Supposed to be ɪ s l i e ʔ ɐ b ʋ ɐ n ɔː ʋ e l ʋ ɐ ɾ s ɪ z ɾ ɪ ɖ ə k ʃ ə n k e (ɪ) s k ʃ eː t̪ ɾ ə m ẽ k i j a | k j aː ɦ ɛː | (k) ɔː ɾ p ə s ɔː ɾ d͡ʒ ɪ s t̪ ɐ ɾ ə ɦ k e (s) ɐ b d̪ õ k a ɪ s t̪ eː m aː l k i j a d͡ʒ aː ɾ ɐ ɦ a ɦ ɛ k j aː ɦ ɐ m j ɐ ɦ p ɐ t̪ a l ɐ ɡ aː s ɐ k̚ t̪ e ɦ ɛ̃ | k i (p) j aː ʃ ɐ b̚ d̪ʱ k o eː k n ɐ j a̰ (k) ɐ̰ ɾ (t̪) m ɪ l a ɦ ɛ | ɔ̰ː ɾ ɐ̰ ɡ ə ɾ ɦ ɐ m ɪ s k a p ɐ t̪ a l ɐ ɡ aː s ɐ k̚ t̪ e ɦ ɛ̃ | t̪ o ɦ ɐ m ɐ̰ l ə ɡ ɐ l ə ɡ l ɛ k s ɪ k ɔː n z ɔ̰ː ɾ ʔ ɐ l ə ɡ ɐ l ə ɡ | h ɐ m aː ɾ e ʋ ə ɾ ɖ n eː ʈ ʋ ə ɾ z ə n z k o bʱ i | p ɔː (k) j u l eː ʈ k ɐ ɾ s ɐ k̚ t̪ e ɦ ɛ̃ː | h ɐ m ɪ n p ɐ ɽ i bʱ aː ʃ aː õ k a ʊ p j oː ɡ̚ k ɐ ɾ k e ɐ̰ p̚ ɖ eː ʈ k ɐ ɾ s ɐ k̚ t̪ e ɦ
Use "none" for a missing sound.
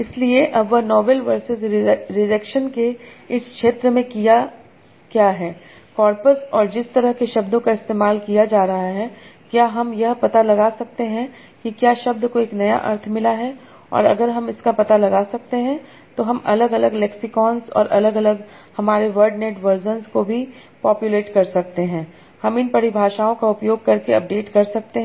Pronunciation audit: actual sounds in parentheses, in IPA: ɪ, k, ʃ, k, ʔ, t̪ʰ, p

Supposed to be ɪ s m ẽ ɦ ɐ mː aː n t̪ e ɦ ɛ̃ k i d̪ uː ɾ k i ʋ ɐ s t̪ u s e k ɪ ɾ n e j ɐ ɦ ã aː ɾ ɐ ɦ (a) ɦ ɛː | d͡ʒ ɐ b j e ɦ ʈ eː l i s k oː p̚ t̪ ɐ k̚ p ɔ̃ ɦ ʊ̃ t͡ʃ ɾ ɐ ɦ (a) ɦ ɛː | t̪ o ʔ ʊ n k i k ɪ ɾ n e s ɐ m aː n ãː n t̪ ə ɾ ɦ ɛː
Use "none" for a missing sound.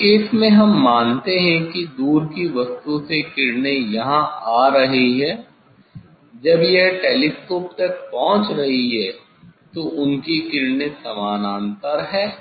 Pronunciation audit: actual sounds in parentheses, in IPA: i, i

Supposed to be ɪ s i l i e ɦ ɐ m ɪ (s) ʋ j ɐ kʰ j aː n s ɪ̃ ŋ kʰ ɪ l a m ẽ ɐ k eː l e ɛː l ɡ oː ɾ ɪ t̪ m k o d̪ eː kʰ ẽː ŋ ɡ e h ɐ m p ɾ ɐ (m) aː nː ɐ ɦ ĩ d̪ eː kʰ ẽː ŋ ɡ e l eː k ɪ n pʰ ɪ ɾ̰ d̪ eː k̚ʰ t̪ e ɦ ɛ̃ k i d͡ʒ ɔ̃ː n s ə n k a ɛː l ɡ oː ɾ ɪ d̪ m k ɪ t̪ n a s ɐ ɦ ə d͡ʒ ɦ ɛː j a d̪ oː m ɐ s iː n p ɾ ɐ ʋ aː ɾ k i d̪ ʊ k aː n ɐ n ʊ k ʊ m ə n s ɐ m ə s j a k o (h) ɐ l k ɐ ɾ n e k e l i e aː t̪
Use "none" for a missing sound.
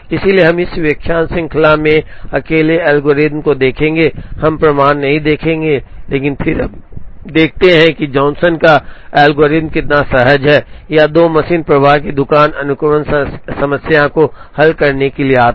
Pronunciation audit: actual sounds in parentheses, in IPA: s, m, h

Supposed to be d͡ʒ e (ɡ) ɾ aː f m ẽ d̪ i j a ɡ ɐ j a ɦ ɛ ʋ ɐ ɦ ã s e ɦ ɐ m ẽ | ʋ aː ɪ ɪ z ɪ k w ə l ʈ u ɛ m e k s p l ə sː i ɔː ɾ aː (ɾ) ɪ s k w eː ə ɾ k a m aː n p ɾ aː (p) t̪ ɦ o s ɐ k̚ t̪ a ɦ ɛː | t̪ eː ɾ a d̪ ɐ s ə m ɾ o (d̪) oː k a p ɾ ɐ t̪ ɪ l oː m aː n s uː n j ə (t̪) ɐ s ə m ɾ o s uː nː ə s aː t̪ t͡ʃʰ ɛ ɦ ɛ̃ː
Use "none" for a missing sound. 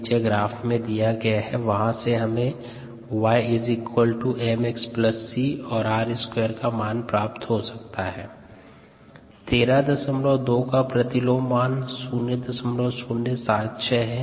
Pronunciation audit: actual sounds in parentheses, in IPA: ɡ, ɾ, p, d̪, d̪

